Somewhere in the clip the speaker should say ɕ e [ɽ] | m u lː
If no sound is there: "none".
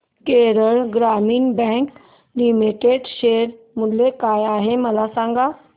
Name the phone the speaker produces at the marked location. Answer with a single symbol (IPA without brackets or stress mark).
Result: ɾ